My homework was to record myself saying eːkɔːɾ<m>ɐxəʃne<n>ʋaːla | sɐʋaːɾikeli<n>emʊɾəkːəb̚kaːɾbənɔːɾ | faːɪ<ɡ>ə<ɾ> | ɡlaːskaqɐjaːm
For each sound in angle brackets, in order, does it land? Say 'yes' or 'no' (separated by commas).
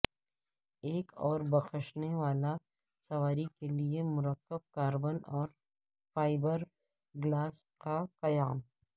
no, no, no, no, yes